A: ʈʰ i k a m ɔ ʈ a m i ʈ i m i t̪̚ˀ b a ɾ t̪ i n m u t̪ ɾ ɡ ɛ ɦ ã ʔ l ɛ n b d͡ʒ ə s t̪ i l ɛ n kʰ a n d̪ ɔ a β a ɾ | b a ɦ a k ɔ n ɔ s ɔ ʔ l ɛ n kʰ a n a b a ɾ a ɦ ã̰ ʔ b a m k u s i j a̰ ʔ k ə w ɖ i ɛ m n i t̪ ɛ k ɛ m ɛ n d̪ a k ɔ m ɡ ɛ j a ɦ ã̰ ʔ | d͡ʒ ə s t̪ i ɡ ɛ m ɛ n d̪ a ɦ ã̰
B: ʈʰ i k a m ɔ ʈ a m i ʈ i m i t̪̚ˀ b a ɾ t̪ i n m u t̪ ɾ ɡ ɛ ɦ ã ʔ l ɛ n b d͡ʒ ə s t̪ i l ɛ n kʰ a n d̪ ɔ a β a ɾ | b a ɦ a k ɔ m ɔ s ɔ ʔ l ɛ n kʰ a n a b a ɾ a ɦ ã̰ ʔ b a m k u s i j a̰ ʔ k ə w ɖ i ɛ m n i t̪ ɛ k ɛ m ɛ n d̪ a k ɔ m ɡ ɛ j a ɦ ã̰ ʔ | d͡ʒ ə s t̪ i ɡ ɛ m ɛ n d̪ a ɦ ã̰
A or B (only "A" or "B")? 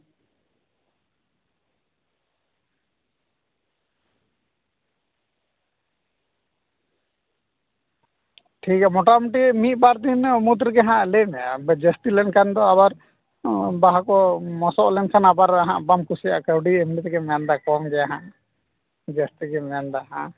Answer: B